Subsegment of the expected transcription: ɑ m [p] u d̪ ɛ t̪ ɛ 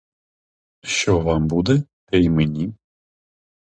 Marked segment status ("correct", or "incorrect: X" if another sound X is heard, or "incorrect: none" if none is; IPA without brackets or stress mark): incorrect: b